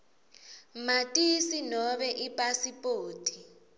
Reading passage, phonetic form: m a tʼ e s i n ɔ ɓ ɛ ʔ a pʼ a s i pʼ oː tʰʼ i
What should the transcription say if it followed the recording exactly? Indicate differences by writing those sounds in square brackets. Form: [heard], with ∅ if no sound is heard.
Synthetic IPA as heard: m a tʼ [i] s i n ɔ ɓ ɛ ʔ [i] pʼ a s i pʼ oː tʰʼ i